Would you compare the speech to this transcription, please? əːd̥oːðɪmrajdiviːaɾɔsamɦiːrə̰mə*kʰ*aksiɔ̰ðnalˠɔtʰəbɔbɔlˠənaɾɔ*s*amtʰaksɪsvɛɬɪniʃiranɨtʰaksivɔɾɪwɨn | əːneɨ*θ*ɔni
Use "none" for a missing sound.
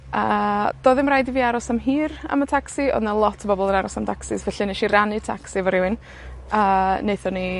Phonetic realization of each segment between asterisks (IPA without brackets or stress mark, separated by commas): tʰ, s, θ